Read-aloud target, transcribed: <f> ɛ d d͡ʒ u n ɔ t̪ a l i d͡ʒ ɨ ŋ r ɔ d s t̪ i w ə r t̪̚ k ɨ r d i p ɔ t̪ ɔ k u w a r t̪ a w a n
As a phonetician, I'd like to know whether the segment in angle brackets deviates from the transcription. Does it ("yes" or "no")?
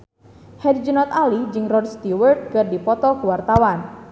yes